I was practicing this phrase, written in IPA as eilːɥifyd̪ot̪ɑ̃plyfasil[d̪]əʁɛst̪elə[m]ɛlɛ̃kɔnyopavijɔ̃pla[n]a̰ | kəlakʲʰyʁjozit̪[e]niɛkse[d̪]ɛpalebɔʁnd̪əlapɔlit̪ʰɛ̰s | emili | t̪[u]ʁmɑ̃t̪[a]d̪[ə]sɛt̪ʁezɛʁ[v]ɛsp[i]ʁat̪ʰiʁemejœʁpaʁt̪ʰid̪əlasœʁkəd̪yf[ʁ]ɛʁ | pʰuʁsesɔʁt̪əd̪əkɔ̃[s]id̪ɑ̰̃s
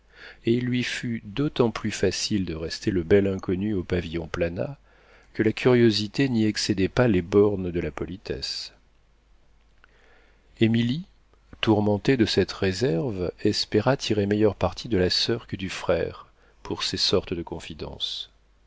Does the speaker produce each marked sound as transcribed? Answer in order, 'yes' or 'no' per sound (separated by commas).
yes, no, yes, yes, yes, yes, no, yes, yes, no, no, no